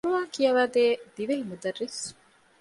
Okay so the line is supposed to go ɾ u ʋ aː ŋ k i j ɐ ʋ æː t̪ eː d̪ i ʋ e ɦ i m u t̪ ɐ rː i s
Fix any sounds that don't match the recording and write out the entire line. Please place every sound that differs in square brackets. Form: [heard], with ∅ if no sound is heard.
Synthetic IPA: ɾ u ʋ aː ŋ k i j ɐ ʋ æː [d̪] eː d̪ i ʋ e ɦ i m u [d̪] ɐ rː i s